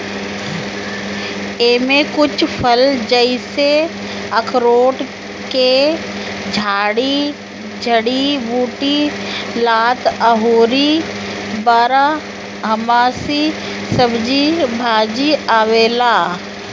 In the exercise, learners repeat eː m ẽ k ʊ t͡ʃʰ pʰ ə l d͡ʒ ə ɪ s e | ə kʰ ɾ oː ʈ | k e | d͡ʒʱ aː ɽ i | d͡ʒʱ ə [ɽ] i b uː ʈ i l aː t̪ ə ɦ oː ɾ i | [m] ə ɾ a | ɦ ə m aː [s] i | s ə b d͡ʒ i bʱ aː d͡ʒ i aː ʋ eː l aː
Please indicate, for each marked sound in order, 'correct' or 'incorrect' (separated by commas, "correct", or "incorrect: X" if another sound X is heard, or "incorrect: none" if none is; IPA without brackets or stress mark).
correct, incorrect: b, correct